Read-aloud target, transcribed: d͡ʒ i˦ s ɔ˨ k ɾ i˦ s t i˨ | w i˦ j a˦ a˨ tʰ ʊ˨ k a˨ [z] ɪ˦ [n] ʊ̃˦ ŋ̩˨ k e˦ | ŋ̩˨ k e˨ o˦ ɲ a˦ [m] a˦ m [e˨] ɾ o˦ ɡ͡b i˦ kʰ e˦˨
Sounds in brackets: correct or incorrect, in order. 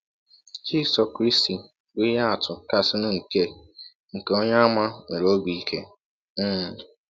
incorrect, correct, correct, correct

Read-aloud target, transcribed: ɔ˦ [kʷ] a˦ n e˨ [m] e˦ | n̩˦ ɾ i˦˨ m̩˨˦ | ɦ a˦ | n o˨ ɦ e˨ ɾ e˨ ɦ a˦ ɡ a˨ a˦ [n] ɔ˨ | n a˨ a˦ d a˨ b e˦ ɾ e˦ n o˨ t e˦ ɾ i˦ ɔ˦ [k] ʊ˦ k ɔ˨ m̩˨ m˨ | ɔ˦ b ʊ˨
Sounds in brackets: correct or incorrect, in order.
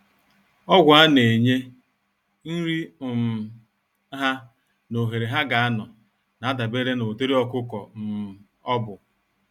incorrect, incorrect, correct, correct

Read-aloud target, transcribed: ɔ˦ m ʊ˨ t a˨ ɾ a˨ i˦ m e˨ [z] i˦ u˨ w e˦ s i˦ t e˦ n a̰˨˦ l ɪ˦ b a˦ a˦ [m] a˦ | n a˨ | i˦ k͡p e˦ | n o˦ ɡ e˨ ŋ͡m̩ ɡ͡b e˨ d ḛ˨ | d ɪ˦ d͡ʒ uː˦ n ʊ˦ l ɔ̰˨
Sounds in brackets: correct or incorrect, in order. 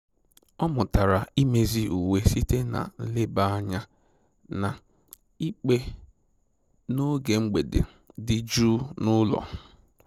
correct, incorrect

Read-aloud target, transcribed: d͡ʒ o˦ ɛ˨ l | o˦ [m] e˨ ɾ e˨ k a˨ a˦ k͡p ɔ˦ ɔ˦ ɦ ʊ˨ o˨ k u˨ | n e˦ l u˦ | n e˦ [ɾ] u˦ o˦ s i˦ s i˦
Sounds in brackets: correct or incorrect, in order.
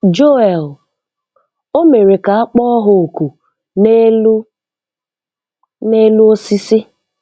correct, incorrect

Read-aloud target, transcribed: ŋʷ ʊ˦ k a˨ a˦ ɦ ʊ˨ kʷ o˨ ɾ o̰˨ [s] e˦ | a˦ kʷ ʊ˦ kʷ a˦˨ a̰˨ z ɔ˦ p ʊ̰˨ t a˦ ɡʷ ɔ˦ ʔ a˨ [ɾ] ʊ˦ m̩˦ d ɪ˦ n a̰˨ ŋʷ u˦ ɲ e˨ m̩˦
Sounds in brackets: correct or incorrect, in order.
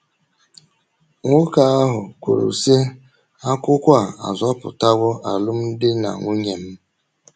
correct, incorrect

